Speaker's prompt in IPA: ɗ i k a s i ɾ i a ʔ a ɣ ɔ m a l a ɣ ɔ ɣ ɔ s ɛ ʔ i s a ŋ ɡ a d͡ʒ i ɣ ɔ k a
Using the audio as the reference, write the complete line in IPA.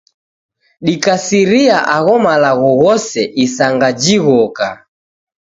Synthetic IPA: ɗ i k a s i ɾ i a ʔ a ɣ ɔ m a l a ɣ ɔ ɣ ɔ s ɛ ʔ i s a ŋ ɡ a d͡ʒ i ɣ ɔ k a